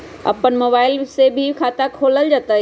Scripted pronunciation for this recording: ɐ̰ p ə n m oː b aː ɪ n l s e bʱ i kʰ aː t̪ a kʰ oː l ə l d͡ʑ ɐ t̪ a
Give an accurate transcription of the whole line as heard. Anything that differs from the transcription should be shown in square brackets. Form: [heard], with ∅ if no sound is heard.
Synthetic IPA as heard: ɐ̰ p ə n m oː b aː ɪ [∅] l s e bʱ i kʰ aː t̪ a kʰ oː l ə l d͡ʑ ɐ t̪ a